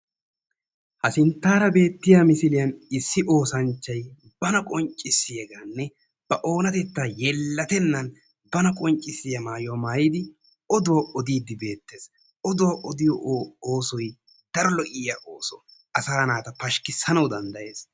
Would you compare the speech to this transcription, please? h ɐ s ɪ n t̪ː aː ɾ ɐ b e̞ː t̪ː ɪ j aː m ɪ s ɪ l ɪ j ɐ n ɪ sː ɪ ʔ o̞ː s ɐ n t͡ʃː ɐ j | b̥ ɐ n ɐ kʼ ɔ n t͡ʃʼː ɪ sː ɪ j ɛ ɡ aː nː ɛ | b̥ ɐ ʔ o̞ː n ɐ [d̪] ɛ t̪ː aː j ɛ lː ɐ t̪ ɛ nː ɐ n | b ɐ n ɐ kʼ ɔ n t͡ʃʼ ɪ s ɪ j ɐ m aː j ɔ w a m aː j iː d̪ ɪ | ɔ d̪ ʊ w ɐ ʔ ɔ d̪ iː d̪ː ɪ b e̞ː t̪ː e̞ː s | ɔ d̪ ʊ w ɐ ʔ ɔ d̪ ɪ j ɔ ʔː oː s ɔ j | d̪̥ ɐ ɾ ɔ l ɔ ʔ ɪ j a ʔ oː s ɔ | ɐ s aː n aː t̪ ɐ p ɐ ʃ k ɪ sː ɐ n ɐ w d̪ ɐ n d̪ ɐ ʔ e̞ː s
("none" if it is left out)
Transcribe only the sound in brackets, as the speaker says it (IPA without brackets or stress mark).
t̪